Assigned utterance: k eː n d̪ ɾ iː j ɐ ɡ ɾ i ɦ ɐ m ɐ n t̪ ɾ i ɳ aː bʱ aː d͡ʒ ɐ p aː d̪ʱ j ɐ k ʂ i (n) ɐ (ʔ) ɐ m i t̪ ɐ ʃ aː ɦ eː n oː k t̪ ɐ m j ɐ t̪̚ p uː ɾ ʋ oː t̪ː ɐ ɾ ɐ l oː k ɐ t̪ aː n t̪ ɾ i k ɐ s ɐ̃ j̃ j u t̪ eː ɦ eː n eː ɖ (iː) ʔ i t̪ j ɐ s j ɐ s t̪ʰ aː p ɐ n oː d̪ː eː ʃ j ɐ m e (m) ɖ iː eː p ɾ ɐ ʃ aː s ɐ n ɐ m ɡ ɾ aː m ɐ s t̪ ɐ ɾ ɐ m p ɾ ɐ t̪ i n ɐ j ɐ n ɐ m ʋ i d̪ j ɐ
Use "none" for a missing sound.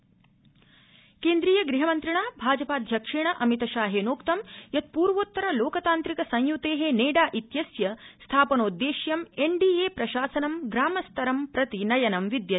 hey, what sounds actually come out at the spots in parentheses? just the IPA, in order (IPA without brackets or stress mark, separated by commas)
ɳ, ʔ, aː, ɳ